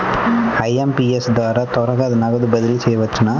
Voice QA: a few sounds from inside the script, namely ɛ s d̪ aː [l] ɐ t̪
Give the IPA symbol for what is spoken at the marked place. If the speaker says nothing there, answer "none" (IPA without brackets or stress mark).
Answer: ɾ